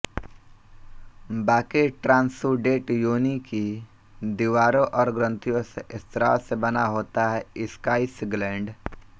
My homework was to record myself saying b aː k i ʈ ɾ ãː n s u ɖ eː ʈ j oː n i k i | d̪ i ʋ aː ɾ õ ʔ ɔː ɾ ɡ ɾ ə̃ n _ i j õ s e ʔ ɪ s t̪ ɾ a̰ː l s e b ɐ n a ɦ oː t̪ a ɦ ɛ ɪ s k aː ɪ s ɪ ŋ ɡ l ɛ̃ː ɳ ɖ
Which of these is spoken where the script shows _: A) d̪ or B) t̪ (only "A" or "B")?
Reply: B